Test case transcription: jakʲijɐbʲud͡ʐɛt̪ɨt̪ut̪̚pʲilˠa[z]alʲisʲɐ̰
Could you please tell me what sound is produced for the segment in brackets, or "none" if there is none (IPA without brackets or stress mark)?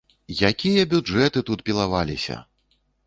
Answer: v